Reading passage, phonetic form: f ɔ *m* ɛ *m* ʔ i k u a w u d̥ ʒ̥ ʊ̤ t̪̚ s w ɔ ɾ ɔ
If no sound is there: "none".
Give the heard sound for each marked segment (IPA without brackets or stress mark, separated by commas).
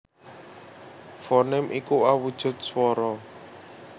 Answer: n, m